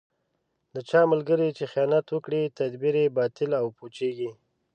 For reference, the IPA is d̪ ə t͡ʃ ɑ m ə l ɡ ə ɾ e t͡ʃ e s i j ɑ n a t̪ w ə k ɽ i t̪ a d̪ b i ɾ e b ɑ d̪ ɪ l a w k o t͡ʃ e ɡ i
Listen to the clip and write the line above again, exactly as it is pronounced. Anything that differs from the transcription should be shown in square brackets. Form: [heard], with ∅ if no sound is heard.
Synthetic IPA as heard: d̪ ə t͡ʃ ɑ m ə l ɡ ə ɾ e t͡ʃ e [x] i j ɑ n a t̪ w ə k ɽ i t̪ a d̪ b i ɾ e b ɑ [t̪] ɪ l a w [p] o t͡ʃ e ɡ i